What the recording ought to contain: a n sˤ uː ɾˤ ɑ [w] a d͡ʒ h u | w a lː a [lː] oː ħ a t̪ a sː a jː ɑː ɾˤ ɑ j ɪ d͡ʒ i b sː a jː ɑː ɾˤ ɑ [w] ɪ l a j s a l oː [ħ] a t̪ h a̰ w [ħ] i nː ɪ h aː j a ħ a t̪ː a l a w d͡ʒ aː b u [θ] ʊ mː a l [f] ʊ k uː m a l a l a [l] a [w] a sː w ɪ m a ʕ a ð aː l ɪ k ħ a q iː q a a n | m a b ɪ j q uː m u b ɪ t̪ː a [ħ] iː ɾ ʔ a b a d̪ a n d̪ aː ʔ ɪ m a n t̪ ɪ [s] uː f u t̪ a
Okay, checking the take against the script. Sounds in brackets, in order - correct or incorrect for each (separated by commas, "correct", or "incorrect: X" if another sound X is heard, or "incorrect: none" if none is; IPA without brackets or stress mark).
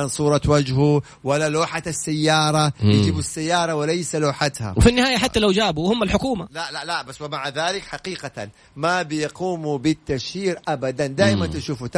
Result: correct, incorrect: l, correct, correct, incorrect: f, incorrect: h, incorrect: ħ, correct, incorrect: b, incorrect: ʃ, incorrect: ʃ